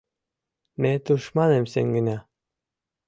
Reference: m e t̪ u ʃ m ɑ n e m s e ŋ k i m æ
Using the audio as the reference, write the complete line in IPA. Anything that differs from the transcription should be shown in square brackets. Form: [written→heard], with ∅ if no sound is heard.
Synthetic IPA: m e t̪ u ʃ m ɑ n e m s e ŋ [k→ɡ] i [m→n] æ